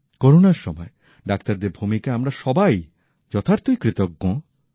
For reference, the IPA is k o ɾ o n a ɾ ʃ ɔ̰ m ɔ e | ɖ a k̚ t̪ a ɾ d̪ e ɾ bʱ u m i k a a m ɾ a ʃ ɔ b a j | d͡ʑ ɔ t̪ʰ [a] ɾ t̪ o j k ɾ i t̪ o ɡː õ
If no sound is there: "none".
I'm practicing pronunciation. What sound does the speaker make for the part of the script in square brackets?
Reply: a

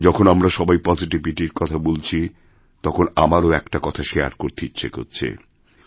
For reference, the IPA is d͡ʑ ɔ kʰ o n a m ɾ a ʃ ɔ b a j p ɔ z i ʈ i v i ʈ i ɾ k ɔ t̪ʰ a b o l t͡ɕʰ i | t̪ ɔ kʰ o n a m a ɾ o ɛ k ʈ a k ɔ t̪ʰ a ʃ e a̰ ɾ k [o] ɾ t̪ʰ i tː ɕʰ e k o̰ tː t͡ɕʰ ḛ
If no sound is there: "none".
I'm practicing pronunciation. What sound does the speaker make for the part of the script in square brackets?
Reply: o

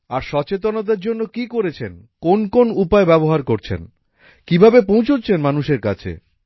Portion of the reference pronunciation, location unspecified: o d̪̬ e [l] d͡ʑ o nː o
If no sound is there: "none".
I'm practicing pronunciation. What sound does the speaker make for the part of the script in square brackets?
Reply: ɾ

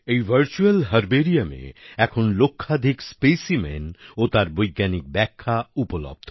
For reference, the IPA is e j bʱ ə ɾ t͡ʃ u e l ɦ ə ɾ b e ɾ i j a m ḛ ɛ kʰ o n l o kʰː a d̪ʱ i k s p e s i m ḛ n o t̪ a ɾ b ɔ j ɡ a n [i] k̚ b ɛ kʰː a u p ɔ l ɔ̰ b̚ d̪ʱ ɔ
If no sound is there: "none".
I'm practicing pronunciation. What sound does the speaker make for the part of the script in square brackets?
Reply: i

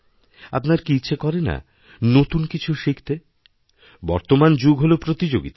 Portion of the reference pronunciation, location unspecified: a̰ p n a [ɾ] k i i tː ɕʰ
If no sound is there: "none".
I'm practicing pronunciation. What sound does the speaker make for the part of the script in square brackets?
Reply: ɾ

